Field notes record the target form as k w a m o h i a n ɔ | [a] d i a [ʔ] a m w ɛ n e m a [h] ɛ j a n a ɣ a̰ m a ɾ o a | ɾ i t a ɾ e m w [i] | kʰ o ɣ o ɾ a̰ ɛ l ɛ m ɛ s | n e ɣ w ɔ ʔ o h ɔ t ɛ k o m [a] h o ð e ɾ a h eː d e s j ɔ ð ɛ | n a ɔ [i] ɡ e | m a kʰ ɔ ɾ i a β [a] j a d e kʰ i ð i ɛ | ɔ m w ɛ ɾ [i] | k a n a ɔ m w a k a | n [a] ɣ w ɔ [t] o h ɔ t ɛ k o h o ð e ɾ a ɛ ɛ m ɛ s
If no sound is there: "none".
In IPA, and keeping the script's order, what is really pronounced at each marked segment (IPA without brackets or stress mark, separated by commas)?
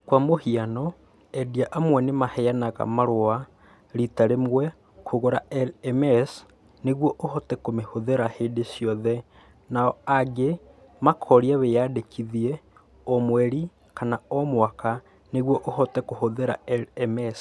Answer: ɛ, ʔ, h, ɛ, e, a, e, i, e, ʔ